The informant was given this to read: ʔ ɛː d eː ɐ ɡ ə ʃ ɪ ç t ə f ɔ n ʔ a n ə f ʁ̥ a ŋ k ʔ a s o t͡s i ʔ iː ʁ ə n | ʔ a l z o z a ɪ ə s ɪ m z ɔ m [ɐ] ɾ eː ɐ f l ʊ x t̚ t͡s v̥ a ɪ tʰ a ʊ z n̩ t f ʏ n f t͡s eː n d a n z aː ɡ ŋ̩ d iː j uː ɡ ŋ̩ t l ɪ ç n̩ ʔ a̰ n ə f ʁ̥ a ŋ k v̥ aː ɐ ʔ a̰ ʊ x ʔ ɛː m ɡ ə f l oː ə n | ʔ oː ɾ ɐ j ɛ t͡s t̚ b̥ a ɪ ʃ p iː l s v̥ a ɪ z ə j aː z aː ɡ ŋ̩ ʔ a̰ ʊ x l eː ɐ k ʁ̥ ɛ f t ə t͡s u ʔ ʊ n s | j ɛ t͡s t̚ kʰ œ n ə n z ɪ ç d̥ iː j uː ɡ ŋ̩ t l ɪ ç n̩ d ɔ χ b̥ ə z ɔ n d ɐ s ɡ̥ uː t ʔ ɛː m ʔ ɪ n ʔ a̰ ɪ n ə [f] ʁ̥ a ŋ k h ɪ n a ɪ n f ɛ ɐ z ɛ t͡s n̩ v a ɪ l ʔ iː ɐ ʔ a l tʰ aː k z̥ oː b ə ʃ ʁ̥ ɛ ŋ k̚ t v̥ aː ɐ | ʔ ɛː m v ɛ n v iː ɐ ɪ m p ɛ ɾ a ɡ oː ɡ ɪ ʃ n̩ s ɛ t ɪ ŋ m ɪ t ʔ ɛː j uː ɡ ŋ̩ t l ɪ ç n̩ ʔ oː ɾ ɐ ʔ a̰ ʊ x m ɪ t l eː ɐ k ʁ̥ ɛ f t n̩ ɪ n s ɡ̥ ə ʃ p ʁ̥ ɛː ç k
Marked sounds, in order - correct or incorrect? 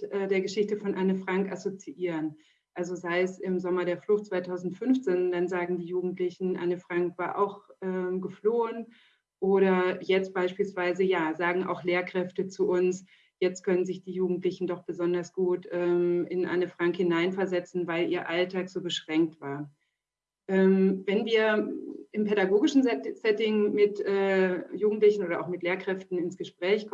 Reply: correct, correct

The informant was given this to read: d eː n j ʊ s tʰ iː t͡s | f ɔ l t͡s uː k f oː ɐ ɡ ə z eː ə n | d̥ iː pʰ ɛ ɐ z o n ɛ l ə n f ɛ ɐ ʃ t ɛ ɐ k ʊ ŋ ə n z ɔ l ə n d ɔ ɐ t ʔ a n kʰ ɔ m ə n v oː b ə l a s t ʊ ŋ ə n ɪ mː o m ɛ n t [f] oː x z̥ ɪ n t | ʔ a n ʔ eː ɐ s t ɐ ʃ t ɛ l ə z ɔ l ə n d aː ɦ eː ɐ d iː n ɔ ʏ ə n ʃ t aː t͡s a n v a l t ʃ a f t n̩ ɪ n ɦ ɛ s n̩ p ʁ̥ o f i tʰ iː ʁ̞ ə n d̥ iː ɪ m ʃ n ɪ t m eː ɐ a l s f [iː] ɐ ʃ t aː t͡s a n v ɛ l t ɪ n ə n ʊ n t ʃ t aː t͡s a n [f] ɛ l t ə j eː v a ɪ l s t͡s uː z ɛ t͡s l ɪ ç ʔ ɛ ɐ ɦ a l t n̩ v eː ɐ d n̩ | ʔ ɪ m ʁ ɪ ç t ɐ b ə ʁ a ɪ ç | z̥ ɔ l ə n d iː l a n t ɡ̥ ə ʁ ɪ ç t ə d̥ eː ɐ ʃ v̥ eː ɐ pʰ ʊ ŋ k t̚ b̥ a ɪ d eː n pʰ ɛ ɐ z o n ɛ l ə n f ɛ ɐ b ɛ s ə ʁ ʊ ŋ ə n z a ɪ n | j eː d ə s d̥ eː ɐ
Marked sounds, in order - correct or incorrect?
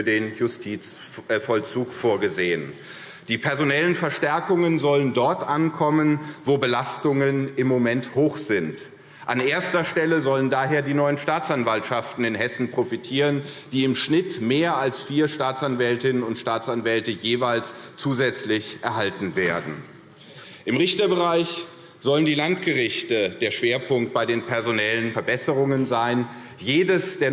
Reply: incorrect: h, correct, incorrect: v

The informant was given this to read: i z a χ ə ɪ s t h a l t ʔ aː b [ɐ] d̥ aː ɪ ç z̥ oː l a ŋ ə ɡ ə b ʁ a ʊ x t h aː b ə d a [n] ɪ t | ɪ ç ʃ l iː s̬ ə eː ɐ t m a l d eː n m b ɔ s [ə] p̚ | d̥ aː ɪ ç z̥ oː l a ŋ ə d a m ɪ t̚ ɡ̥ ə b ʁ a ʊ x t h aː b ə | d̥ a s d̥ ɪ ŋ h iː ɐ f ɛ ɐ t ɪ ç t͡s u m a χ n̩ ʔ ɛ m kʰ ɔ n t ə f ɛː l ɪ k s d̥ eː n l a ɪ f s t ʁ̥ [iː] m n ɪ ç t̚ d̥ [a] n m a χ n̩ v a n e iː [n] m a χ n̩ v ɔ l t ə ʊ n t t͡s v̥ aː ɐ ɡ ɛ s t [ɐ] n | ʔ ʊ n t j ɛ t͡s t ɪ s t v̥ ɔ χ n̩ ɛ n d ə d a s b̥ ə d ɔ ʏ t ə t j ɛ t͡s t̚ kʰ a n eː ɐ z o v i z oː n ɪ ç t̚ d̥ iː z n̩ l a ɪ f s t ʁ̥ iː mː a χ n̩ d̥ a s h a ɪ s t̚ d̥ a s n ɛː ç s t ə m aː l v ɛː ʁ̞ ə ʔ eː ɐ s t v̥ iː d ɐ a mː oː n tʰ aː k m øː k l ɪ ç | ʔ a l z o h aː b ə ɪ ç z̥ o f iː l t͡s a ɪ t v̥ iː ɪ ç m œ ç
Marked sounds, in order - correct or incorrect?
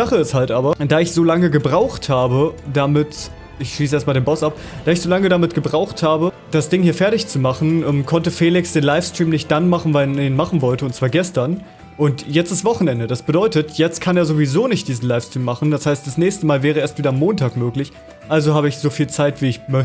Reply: correct, incorrect: m, incorrect: a, correct, correct, correct, correct

